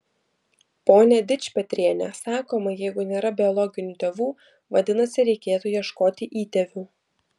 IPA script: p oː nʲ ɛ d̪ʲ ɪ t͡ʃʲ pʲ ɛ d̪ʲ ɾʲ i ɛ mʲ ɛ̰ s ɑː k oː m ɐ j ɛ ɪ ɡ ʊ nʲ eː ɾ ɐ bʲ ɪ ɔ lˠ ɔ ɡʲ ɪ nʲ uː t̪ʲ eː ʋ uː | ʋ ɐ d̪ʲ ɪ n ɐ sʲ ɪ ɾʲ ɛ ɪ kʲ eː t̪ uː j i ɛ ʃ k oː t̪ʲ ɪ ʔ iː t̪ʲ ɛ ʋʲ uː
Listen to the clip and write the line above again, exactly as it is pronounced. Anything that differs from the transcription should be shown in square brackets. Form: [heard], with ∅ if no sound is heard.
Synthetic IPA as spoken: p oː nʲ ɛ d̪ʲ ɪ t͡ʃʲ pʲ ɛ [t̪ʲ] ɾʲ i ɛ [nʲ] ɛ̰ s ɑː k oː m ɐ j ɛ ɪ ɡ ʊ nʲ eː ɾ ɐ bʲ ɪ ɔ lˠ ɔ ɡʲ ɪ nʲ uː t̪ʲ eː ʋ uː | ʋ ɐ d̪ʲ ɪ n ɐ sʲ ɪ ɾʲ ɛ ɪ kʲ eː t̪ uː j i ɛ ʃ k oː t̪ʲ ɪ ʔ iː t̪ʲ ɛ ʋʲ uː